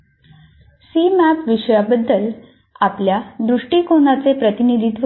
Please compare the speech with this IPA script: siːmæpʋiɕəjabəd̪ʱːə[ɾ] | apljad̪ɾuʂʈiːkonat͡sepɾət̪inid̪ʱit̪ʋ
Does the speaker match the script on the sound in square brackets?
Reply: no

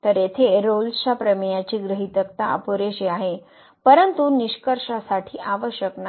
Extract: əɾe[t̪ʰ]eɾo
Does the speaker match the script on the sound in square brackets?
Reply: yes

